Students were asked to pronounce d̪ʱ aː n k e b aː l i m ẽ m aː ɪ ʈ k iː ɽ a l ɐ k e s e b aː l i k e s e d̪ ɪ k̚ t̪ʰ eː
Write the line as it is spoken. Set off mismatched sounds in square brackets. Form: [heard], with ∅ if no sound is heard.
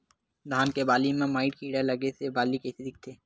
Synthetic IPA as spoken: d̪ʱ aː n k e b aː l i m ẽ m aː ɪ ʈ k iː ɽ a l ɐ [ɡ] e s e b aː l i k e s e d̪ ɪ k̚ t̪ʰ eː

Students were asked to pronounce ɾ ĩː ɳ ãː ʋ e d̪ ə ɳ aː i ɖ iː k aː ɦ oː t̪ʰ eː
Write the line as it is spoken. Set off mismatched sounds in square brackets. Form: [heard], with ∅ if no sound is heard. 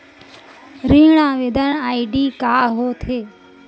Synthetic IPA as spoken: ɾ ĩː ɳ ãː ʋ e d̪ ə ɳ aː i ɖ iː k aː ɦ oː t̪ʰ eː

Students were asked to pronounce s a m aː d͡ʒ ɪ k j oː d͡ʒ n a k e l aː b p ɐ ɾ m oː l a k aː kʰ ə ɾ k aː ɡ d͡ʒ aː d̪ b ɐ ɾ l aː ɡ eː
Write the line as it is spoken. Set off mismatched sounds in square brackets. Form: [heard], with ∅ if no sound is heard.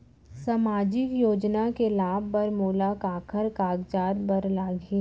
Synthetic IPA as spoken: s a m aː d͡ʒ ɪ k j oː d͡ʒ n a k e l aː b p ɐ ɾ m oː l a k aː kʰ ə ɾ k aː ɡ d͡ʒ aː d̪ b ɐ ɾ l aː ɡ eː

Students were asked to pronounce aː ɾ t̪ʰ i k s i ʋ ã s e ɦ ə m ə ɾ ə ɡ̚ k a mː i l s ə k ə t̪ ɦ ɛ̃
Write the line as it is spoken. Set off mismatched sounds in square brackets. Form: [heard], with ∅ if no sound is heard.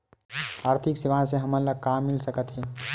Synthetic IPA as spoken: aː ɾ t̪ʰ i k s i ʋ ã s e ɦ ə m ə [l] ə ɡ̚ k a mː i l s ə k ə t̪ ɦ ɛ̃

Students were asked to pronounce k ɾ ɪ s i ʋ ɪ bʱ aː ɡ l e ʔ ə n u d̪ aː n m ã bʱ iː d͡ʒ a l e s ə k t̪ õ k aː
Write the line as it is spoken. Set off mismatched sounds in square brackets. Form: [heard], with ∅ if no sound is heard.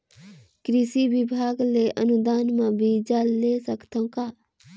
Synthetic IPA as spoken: k ɾ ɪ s i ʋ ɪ bʱ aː ɡ l e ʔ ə n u d̪ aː n m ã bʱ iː d͡ʒ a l e s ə k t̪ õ k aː

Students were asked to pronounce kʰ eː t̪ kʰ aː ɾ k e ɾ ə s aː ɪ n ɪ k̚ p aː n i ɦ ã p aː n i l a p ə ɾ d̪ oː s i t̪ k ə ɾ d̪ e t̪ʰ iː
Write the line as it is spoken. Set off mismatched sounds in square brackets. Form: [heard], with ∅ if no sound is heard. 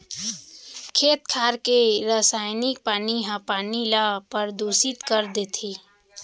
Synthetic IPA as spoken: kʰ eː t̪ kʰ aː ɾ k e ɾ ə s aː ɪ n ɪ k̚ p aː n i ɦ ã p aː n i l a p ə ɾ d̪ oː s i t̪ k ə ɾ d̪ e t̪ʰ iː

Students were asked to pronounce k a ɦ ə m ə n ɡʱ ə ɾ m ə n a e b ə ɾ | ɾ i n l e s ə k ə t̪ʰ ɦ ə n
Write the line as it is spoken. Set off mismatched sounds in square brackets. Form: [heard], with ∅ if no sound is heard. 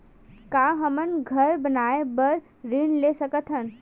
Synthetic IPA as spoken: k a ɦ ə m ə n ɡʱ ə ɾ [b] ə n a e b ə ɾ | ɾ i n l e s ə k ə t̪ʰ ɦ ə n

